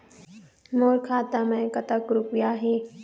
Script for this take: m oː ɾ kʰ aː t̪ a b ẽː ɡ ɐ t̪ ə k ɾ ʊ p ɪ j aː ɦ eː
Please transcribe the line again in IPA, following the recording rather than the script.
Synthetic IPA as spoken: m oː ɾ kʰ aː t̪ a m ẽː k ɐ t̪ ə k ɾ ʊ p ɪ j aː ɦ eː